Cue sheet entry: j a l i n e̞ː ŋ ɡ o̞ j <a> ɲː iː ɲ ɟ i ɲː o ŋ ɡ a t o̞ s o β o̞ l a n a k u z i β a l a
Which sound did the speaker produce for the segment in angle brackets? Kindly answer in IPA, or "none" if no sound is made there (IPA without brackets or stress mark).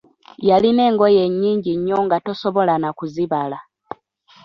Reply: e